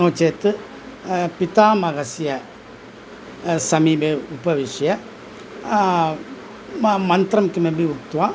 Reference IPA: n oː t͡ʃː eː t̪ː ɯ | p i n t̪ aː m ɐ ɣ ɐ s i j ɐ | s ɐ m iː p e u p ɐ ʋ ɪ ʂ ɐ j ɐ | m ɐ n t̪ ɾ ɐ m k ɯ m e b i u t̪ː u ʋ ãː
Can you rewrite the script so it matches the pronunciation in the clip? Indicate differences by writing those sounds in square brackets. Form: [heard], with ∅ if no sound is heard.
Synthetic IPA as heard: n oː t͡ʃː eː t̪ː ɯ | p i [∅] t̪ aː m ɐ ɣ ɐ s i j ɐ | s ɐ m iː [b] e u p ɐ ʋ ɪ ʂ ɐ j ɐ | m ɐ n t̪ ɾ ɐ m k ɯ m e b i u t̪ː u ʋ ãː